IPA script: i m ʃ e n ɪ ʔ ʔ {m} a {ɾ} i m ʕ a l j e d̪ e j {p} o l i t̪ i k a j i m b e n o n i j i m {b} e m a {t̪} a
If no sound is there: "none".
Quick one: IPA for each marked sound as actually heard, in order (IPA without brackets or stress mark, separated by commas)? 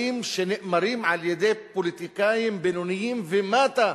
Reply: m, ɾ, p, v, t̪